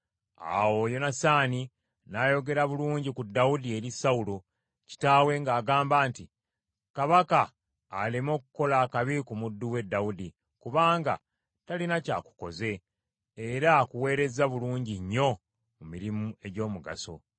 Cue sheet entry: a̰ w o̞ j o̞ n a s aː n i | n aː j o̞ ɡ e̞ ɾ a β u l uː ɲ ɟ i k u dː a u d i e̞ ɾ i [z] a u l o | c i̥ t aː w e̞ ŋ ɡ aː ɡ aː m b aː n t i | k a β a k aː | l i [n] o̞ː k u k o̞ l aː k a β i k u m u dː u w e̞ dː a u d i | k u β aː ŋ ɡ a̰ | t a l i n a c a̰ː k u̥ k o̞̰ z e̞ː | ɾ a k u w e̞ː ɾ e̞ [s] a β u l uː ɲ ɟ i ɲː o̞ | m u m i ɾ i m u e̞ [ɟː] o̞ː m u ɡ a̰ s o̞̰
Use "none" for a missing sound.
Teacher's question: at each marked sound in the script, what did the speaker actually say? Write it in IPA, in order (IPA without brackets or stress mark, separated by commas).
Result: s, m, z, ɟ